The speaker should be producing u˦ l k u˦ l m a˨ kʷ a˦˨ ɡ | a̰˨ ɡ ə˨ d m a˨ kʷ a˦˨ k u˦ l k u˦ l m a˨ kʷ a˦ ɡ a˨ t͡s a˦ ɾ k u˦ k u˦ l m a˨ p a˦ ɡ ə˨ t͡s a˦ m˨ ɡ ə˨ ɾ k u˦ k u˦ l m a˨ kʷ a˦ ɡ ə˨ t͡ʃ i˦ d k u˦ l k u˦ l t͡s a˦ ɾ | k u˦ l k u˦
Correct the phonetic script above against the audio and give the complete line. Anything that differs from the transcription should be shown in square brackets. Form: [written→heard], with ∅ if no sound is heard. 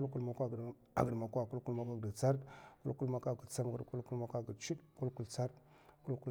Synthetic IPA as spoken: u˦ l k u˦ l m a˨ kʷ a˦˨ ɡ | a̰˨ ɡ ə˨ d m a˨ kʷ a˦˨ k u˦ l k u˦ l m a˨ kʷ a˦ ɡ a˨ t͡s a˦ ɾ k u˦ k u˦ l m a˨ [p→k] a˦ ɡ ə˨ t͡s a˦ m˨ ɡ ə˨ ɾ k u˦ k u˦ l m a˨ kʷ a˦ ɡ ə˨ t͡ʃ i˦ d k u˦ l k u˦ l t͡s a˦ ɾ | k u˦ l k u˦